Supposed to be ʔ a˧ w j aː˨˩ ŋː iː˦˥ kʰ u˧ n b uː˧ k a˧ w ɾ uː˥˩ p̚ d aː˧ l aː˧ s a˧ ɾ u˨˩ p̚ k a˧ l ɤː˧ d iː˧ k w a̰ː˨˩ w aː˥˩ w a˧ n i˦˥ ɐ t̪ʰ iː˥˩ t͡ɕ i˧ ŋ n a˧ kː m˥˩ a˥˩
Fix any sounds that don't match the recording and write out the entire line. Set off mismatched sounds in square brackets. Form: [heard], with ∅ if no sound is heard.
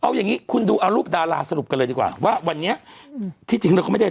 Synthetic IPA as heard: ʔ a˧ w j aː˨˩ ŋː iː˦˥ kʰ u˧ n [d] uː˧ [ʔ] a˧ w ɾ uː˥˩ p̚ d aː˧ l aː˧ s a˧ ɾ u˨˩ p̚ k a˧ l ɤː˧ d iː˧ k w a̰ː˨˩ w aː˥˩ w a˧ [nː] i˦˥ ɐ t̪ʰ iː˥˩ t͡ɕ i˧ ŋ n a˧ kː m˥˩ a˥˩